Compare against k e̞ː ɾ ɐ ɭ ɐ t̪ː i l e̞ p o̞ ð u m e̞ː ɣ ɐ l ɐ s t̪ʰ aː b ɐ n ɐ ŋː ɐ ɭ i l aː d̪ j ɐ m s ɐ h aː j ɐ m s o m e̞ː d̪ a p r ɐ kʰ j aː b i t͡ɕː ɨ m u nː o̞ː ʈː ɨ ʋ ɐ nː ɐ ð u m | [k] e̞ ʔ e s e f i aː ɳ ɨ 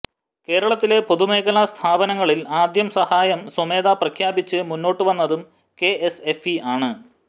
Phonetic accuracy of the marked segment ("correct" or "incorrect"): correct